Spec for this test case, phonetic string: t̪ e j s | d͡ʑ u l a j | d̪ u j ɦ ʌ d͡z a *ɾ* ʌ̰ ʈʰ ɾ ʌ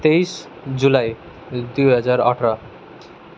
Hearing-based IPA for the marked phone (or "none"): ɾ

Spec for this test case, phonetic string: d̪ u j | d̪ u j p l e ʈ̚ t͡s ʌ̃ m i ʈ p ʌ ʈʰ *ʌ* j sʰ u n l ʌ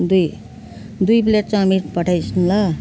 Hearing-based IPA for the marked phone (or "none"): a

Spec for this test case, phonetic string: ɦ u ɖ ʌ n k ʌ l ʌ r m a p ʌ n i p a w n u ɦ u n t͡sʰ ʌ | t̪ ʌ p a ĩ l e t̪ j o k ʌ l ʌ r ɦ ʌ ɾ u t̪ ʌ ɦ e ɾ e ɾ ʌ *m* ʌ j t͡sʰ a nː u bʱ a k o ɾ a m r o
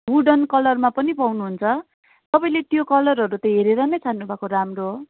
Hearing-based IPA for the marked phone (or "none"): n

